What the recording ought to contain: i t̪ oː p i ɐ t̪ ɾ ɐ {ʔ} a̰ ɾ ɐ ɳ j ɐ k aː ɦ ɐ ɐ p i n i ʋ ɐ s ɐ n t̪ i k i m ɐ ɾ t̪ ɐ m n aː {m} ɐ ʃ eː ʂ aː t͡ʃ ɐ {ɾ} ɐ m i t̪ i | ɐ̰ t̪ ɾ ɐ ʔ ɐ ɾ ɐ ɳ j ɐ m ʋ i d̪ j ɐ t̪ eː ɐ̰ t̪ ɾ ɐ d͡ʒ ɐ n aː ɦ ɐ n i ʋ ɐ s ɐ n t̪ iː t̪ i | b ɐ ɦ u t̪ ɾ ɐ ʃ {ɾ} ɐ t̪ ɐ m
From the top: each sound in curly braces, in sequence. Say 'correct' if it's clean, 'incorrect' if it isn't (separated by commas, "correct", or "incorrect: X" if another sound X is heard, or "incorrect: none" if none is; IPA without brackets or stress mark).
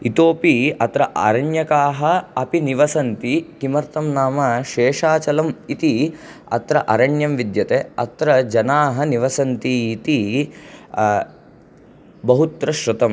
correct, correct, incorrect: l, correct